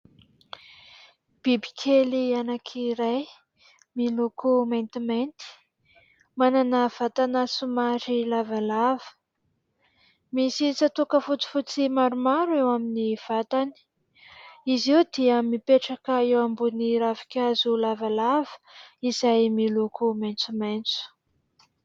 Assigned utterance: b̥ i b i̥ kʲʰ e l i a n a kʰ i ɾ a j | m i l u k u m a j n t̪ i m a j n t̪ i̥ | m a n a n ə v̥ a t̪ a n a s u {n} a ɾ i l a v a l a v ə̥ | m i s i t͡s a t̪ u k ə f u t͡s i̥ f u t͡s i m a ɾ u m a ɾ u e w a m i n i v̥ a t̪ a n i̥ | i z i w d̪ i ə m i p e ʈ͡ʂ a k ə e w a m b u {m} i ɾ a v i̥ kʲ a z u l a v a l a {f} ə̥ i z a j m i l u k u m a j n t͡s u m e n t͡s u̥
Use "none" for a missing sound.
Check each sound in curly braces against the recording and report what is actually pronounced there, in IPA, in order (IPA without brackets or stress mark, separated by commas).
m, n, v